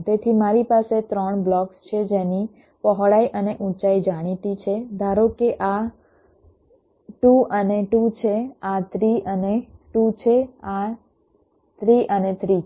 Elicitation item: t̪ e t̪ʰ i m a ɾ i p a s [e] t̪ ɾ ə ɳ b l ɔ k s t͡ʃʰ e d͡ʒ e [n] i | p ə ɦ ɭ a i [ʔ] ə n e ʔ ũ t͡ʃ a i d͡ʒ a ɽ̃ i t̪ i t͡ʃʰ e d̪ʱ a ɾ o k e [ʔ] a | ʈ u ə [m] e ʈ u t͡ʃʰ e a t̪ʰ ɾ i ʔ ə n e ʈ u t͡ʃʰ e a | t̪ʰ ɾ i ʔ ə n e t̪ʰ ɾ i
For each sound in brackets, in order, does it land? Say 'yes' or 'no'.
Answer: yes, yes, yes, yes, no

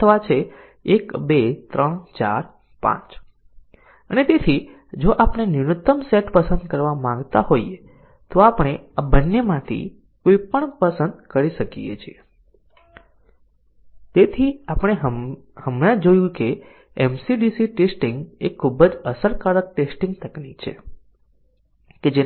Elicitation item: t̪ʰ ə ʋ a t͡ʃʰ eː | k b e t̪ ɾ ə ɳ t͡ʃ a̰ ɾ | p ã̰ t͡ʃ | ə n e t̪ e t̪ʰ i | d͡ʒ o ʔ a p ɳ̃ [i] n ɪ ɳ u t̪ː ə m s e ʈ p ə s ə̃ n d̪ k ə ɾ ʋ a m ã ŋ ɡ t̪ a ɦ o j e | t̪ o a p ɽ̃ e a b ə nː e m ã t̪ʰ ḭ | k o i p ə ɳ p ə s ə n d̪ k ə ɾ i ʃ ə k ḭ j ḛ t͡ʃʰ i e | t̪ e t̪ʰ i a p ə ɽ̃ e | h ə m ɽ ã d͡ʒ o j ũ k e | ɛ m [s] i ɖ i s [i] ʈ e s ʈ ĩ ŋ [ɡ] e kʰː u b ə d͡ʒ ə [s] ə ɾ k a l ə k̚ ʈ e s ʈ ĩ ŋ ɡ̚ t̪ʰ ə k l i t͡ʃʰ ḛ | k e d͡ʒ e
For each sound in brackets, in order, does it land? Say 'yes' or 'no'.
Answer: no, yes, yes, yes, yes

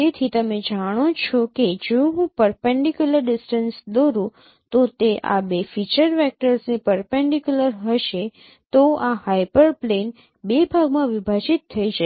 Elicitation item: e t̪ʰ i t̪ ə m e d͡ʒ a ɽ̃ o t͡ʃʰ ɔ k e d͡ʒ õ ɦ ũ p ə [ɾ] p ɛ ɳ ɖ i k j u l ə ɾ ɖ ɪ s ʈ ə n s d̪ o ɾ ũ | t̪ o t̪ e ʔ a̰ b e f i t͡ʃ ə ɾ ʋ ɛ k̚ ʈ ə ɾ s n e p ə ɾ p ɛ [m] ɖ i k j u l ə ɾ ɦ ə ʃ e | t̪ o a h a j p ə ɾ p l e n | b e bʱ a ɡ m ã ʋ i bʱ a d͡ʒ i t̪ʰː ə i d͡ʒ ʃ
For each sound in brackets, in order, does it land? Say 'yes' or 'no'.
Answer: yes, no

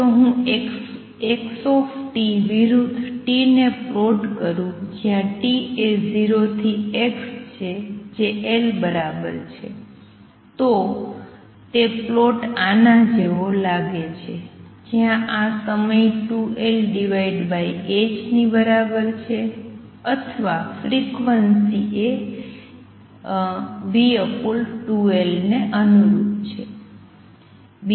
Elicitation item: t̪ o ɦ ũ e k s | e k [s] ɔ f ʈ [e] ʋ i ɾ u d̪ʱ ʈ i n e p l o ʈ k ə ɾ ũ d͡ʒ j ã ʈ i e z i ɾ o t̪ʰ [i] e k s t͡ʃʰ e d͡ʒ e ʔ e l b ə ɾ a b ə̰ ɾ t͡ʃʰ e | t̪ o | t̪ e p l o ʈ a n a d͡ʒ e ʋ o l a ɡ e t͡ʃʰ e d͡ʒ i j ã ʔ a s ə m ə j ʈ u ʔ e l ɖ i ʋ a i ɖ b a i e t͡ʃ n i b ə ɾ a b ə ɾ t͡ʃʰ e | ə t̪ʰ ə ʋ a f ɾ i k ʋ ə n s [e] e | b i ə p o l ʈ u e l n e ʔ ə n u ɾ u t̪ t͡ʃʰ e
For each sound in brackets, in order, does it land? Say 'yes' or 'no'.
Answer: yes, no, yes, no

